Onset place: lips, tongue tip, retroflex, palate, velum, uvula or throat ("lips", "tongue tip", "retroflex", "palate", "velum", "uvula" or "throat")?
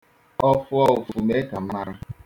lips